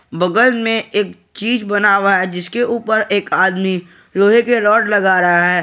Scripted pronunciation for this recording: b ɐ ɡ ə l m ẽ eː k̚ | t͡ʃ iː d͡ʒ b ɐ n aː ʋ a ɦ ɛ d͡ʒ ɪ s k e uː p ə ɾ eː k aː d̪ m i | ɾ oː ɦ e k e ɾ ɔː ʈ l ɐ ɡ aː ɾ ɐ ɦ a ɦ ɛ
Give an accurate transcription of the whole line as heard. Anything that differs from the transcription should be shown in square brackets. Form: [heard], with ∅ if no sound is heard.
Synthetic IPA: b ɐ ɡ ə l m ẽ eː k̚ | t͡ʃ iː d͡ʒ b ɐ n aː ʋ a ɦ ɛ d͡ʒ ɪ s k e uː p ə ɾ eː k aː d̪ m i | ɾ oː ɦ e k e ɾ ɔː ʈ l ɐ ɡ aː ɾ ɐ ɦ a ɦ [ɛː]